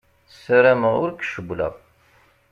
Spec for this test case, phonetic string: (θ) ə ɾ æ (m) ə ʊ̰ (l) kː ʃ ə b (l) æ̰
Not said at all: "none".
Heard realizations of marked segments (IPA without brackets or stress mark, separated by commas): s, m, ɾ, l